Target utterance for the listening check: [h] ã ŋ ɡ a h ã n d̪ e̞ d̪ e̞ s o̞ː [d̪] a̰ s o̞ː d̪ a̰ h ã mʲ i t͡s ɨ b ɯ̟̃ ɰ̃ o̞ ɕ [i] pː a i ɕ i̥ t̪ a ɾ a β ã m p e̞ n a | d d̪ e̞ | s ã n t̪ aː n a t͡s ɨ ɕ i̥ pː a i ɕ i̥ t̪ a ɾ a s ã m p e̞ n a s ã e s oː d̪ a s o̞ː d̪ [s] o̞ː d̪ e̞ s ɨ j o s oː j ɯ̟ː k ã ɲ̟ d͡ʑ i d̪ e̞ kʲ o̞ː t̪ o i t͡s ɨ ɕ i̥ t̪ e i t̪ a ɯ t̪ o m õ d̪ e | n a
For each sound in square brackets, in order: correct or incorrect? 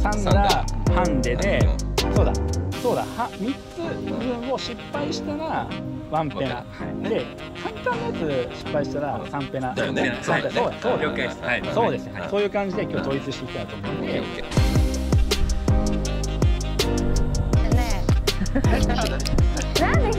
incorrect: s, correct, correct, correct

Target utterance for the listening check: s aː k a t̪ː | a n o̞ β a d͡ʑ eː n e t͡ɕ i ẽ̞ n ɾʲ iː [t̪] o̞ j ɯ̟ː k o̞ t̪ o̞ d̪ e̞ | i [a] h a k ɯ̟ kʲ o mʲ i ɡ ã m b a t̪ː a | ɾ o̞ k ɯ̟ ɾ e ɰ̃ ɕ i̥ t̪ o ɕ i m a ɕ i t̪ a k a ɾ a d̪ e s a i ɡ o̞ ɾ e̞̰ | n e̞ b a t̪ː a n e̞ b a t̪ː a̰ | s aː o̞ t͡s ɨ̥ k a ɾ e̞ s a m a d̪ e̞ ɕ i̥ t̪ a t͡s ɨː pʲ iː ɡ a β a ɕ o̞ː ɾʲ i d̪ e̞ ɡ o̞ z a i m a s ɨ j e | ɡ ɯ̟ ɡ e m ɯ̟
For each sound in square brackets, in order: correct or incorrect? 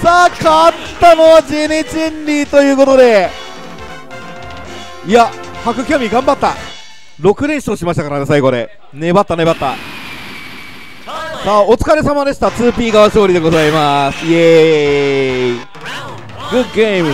correct, correct

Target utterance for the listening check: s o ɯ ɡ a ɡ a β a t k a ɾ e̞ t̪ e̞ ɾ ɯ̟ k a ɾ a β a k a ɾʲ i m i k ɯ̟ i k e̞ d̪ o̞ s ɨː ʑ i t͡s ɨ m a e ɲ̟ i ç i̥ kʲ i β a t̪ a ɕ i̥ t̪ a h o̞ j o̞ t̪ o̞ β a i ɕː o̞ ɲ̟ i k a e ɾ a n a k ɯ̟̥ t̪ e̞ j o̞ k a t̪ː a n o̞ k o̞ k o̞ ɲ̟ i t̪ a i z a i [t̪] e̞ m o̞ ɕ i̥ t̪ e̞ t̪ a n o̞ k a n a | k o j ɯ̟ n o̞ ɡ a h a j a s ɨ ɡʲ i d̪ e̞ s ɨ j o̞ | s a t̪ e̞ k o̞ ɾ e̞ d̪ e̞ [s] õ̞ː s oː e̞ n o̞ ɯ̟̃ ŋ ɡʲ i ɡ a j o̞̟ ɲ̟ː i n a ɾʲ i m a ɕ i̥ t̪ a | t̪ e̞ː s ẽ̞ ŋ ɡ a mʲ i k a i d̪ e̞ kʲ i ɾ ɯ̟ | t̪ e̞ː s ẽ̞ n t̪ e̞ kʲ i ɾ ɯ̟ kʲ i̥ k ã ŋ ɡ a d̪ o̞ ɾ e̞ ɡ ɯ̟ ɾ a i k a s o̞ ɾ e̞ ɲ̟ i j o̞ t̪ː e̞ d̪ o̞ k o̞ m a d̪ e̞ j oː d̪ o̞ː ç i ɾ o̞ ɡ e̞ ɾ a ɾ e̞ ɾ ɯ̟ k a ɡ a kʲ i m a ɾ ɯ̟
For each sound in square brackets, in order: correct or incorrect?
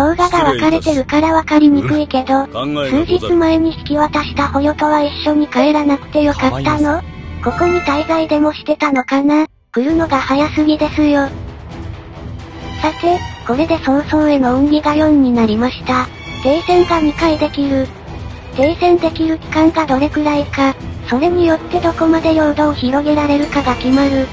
incorrect: d̪, correct

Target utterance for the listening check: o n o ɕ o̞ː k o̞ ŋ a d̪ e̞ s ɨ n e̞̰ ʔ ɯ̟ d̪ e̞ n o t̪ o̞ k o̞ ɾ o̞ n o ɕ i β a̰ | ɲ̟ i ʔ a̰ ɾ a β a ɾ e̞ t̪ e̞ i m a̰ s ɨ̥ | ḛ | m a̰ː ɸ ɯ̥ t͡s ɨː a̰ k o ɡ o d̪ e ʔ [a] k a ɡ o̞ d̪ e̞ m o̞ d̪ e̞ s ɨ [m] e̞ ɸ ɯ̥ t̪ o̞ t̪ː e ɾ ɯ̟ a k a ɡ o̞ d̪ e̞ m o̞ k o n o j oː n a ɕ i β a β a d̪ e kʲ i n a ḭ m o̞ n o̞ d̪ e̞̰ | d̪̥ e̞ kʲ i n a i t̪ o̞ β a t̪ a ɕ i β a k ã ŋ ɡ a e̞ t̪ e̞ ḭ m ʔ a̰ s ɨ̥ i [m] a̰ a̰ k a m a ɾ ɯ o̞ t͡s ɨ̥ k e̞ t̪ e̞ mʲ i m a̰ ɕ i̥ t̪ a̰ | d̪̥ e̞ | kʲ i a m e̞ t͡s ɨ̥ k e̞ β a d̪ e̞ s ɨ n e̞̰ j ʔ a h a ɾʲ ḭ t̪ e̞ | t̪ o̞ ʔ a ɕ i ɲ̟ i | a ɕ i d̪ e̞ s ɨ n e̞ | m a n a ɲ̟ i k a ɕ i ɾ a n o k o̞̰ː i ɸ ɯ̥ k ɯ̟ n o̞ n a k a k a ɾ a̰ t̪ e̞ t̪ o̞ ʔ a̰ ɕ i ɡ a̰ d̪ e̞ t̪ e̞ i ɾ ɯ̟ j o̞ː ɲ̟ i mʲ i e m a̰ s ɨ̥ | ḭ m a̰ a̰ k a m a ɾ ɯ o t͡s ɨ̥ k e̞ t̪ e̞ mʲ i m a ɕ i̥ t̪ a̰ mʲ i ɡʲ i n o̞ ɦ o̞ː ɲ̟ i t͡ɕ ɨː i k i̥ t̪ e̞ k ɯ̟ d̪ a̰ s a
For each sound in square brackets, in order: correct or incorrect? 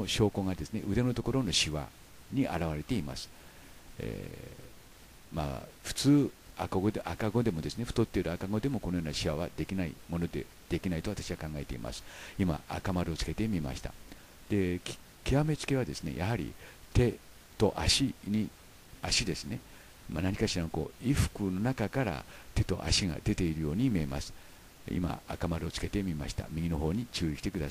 correct, incorrect: n, correct

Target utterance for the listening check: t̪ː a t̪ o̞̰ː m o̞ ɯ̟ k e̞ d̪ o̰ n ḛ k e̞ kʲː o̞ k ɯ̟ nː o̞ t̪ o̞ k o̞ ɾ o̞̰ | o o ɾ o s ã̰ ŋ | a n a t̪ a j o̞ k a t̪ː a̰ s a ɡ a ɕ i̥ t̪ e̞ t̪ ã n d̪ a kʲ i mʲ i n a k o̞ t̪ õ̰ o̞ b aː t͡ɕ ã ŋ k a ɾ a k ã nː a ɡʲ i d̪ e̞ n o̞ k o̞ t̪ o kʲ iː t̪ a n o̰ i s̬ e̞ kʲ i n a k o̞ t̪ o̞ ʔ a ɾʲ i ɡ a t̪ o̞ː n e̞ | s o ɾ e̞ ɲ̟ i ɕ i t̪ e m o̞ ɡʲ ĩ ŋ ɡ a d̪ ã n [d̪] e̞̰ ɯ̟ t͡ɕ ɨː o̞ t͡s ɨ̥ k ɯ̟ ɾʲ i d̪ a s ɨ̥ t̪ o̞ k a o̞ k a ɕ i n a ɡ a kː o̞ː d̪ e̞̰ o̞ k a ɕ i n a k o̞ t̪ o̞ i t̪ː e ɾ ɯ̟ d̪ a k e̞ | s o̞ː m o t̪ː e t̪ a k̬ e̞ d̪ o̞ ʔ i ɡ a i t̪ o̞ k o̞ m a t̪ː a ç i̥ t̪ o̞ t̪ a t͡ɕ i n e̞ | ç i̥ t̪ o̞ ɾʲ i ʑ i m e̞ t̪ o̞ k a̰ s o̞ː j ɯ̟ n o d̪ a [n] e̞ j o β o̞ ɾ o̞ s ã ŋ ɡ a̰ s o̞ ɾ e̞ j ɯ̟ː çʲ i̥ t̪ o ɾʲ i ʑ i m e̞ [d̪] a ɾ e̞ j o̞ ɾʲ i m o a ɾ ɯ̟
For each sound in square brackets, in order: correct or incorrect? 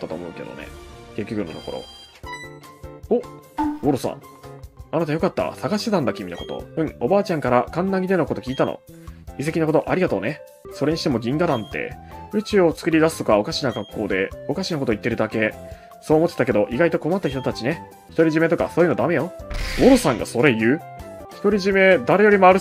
incorrect: t̪, incorrect: m, correct

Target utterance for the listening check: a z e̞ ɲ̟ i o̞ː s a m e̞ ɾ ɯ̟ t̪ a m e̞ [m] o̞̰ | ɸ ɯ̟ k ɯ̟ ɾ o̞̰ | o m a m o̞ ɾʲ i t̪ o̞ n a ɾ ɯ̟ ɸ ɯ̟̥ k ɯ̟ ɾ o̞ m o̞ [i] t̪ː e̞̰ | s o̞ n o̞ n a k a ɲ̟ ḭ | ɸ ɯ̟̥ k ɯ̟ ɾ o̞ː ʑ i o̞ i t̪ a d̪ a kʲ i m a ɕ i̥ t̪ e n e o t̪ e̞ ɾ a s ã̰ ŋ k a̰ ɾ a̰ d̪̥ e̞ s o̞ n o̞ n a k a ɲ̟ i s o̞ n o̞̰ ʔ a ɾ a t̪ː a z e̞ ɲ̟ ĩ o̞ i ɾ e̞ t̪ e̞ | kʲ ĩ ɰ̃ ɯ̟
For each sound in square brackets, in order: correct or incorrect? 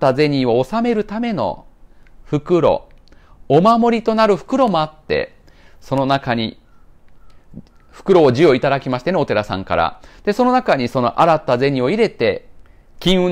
incorrect: n, incorrect: a

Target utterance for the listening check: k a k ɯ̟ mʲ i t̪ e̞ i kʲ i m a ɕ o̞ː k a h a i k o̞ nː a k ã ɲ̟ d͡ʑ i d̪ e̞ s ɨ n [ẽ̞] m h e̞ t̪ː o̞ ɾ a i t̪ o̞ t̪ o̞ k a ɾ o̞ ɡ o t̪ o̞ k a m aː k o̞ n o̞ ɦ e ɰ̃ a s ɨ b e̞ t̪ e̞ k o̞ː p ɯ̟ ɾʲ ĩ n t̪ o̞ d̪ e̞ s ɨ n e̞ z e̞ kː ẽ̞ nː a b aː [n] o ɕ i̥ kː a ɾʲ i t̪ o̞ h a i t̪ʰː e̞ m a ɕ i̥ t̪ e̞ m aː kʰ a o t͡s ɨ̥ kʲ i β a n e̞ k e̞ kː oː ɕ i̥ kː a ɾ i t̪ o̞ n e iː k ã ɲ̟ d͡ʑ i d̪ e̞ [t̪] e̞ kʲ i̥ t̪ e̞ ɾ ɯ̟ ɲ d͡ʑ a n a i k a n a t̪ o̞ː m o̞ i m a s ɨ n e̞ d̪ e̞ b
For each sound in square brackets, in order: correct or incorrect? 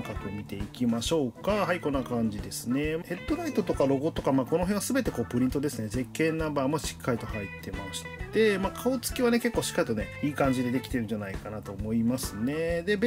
incorrect: e̞, incorrect: m, incorrect: d̪

